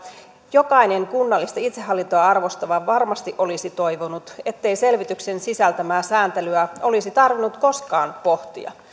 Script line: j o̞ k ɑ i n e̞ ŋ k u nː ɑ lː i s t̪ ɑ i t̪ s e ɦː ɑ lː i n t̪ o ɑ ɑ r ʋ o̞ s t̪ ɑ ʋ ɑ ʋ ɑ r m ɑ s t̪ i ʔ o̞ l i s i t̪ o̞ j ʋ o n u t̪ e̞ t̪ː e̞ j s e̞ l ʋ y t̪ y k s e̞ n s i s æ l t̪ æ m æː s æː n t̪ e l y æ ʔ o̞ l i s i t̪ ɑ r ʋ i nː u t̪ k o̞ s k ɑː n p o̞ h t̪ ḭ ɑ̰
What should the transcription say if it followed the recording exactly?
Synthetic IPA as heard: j o̞ k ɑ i n e̞ ŋ k u nː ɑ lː i s t̪ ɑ i t̪ s e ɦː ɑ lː i n t̪ o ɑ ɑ r ʋ o̞ s t̪ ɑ ʋ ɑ ʋ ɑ r m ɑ s t̪ i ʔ o̞ l i s i t̪ o̞ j ʋ o n u t̪ e̞ t̪ː e̞ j s e̞ l ʋ i t̪ y k s e̞ n s i s æ l t̪ æ m æː s æː n t̪ e l y æ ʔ o̞ l i s i t̪ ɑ r ʋ i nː u t̪ k o̞ s k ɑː n p o̞ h t̪ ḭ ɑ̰